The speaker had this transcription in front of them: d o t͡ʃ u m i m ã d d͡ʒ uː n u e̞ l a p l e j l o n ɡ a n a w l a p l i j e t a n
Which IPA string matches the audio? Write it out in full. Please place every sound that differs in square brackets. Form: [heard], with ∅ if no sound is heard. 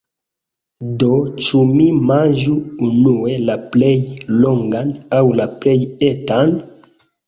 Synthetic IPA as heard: d o t͡ʃ u m i m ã [n] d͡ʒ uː n u e̞ l a p l e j l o [ŋ] ɡ a n a w l a p l [e] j e t a n